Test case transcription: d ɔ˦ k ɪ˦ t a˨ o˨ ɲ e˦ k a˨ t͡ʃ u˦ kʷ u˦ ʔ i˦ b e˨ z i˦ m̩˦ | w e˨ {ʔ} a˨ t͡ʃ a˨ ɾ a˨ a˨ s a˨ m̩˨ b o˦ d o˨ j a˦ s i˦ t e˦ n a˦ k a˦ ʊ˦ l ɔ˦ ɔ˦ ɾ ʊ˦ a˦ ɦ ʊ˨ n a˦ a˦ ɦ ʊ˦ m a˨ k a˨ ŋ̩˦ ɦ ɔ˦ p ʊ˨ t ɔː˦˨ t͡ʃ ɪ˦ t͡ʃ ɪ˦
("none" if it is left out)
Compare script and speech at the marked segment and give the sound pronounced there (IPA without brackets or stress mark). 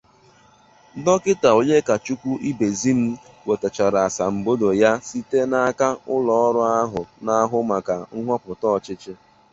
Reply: t